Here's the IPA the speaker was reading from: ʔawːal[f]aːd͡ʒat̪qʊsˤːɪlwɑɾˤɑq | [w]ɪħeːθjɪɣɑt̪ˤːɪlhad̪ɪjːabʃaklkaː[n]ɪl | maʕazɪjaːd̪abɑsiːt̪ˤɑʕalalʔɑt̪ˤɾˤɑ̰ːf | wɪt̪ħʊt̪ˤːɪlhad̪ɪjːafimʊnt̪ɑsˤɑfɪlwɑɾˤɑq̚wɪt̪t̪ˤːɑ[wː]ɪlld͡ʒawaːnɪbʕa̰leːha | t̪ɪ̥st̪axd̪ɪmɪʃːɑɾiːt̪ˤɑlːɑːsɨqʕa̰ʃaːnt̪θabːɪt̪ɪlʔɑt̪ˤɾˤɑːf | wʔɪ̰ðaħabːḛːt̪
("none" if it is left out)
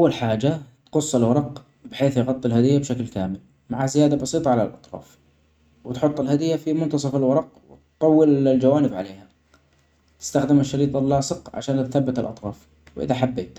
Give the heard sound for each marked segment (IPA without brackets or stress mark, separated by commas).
ħ, b, m, wː